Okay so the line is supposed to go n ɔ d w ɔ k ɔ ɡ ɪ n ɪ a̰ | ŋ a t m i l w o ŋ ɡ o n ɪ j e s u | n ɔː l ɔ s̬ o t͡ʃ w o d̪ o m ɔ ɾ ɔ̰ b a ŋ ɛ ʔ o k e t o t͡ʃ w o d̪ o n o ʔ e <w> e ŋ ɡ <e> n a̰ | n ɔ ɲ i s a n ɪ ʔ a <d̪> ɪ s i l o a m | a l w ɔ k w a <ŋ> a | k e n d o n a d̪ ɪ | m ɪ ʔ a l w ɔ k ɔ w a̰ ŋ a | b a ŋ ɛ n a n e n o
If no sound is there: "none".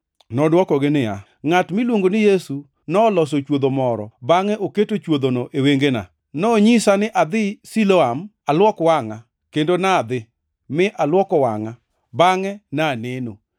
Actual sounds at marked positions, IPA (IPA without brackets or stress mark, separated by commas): w, e, d̪, ŋ